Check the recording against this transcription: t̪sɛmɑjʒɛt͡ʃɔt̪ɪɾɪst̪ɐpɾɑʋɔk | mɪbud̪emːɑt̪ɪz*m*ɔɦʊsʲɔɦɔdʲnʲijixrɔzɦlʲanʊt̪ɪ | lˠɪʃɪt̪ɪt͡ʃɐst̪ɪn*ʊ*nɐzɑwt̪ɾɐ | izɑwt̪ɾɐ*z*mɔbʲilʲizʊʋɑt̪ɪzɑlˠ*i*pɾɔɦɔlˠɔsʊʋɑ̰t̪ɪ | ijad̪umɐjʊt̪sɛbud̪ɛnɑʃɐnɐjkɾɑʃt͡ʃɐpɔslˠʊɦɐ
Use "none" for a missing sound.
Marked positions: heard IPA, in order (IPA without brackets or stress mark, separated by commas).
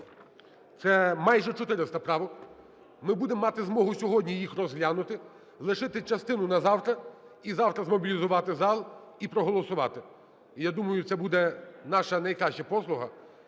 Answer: m, ʊ, z, i